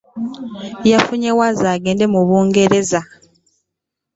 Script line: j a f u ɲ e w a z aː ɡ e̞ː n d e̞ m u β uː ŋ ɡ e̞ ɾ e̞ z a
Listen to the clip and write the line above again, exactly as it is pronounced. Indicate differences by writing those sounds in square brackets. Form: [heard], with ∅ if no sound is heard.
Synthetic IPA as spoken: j a f u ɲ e w a z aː ɡ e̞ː n d e̞ m u β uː ŋ ɡ e̞ ɾ e̞ z a